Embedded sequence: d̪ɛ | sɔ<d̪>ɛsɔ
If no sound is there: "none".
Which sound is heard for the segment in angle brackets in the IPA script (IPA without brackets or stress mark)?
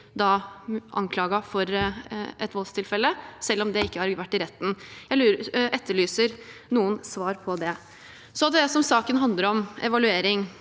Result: d̪